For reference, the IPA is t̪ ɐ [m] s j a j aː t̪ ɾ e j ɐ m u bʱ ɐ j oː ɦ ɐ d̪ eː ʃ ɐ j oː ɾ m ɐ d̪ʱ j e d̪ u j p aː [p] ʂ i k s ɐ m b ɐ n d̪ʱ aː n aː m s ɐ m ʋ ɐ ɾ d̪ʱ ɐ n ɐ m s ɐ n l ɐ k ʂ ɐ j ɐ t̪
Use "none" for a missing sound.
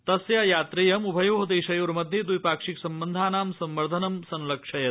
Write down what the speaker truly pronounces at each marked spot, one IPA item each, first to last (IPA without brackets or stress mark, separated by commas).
none, k